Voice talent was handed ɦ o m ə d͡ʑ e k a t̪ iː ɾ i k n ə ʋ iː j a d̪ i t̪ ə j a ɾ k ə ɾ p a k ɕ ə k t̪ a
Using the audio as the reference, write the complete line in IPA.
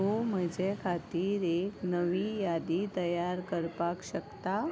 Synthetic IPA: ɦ o m ə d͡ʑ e kʰ a t̪ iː ɾ e k n ə ʋ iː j a d̪ i t̪ ə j a ɾ k ə ɾ p a k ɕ ə k t̪ a